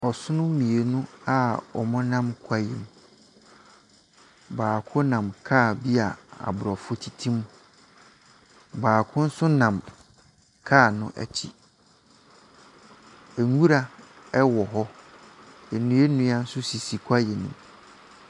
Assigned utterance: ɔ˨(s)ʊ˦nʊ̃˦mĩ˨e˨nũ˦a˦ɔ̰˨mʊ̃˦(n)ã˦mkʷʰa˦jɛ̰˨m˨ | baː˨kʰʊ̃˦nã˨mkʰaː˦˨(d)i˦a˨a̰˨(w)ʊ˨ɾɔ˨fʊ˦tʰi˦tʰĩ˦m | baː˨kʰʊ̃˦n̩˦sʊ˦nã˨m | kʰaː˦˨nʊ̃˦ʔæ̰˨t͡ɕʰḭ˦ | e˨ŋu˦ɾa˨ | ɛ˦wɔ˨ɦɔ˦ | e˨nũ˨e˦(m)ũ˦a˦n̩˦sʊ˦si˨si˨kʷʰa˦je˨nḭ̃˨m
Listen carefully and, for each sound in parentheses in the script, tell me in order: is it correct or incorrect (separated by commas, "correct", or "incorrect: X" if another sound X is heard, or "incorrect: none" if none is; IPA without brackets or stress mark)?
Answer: correct, correct, incorrect: b, incorrect: b, incorrect: n